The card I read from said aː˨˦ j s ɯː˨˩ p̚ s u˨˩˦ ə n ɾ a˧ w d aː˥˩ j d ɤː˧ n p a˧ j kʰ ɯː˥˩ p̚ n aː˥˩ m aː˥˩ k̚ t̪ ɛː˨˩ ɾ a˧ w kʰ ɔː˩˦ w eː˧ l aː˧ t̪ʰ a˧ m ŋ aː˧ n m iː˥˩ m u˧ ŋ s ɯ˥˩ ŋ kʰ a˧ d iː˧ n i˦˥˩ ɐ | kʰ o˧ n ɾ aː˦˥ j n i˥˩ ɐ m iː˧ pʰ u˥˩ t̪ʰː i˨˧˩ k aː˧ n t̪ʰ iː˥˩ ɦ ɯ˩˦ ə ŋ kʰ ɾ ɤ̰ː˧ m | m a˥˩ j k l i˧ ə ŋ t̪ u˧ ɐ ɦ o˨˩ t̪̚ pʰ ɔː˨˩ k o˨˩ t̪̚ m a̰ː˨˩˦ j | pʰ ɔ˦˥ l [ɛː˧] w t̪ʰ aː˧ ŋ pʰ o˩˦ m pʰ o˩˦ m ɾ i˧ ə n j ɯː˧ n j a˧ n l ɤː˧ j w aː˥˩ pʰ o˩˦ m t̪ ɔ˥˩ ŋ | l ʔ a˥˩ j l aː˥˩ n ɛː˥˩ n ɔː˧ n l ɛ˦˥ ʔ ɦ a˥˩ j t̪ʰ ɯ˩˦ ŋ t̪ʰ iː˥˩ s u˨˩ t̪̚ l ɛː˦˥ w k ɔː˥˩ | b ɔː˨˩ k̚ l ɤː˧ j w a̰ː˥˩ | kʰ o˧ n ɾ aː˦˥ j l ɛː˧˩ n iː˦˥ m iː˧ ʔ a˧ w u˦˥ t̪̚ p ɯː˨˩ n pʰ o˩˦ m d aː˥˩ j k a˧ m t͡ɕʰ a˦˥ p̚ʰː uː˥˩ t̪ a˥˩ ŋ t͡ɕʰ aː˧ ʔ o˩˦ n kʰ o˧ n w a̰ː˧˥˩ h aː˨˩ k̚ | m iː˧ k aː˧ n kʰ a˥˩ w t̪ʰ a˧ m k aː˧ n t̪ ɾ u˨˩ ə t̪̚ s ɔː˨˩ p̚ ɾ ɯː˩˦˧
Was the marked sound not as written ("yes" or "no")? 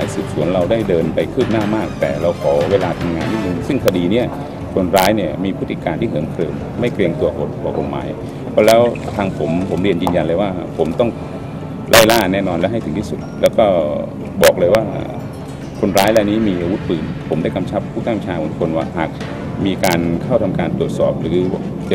yes